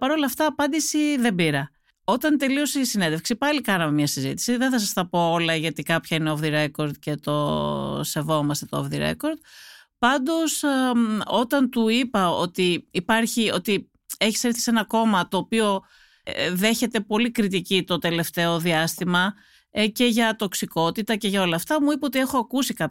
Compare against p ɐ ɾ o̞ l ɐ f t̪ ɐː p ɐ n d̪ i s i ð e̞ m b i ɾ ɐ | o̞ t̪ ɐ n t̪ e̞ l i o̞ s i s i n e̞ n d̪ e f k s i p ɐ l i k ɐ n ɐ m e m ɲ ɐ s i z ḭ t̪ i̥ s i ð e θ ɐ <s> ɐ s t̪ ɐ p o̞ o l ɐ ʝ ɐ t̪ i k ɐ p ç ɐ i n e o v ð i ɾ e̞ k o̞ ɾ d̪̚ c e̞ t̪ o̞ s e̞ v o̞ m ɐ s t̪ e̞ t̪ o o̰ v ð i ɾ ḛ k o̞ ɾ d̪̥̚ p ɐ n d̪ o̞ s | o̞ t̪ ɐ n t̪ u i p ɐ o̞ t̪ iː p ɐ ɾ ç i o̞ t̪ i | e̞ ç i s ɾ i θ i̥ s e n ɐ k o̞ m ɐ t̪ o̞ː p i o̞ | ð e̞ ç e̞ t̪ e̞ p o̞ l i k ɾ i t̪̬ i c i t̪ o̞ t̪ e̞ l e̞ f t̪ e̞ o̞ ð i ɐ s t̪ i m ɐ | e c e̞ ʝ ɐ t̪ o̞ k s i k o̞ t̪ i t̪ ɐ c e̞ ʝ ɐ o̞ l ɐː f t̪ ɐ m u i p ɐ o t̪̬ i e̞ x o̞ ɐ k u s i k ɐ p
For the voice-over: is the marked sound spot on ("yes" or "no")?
yes